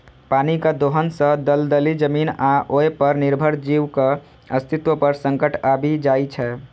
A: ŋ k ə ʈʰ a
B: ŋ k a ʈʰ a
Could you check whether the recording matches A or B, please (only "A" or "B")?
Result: A